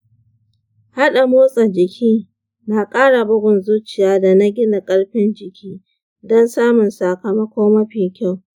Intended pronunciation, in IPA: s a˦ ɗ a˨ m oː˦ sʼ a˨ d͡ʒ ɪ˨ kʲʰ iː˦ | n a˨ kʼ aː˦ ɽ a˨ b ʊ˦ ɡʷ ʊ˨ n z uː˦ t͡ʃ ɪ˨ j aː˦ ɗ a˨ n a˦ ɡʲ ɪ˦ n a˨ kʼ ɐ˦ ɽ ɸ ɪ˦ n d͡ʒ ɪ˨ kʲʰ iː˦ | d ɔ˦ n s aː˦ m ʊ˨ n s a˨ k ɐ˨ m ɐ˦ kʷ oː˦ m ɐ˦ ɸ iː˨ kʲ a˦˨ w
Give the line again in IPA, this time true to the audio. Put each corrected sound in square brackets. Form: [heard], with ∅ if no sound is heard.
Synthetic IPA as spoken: [h] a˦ ɗ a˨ m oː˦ sʼ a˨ d͡ʒ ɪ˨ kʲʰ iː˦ | n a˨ kʼ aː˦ ɽ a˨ b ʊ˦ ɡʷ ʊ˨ n z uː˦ t͡ʃ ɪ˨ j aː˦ [d] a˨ n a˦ ɡʲ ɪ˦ n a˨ kʼ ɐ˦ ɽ ɸ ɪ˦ n d͡ʒ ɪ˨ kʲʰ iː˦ | d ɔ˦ n s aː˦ m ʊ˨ n s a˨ k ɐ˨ m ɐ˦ kʷ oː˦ m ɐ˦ ɸ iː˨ kʲ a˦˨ w